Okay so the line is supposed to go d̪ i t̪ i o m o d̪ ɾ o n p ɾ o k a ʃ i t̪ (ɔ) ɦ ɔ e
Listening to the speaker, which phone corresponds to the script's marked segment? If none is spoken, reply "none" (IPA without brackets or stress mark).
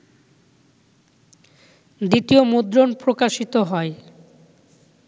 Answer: o